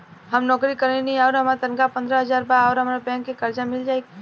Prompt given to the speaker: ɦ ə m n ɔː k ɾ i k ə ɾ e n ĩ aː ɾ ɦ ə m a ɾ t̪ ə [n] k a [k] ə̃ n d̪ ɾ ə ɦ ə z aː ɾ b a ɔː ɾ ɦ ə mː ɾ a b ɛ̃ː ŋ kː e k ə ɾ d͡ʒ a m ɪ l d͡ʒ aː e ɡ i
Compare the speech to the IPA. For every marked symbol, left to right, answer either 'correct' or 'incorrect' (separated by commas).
correct, incorrect